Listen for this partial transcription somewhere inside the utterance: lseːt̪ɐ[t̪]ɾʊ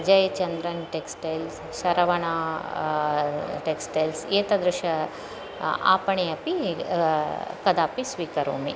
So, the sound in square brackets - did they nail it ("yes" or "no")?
no